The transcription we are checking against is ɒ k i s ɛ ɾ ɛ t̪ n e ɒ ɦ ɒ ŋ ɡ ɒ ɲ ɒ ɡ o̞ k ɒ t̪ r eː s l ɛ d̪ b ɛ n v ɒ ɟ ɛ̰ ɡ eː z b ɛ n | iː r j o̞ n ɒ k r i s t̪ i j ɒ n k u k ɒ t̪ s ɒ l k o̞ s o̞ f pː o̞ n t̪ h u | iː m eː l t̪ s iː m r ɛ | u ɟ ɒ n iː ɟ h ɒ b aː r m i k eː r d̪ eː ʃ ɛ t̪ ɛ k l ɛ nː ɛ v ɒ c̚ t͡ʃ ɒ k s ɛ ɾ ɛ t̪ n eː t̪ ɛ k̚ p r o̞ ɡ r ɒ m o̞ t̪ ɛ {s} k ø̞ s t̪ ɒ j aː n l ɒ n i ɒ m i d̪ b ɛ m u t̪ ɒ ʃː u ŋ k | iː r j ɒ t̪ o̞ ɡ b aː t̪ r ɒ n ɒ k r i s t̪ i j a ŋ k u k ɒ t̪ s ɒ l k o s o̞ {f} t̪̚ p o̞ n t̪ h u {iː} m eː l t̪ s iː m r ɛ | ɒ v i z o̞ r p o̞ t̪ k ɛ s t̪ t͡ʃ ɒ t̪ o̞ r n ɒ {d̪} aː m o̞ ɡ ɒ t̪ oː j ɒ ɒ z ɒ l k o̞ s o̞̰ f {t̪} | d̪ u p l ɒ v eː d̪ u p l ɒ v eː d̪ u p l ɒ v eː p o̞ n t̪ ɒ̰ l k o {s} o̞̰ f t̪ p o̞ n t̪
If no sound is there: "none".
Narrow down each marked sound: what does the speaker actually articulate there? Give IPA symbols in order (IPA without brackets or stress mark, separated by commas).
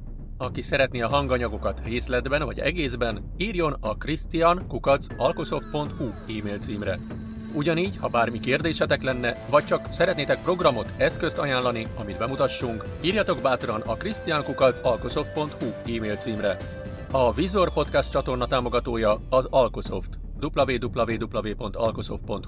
s, f, iː, t̪, t̪, s